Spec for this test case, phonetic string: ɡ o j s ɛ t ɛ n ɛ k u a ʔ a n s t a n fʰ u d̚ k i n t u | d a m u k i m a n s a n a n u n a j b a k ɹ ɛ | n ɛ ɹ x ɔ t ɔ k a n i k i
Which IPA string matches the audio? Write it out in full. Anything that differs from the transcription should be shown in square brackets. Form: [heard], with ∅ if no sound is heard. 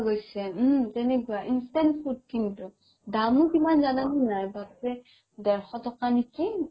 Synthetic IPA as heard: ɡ o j s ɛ t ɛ n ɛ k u a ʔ [i] n s t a n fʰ u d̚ k i n t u | d a m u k i m a n [z] a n a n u n a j b a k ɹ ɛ | [d] ɛ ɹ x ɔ t ɔ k a n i k i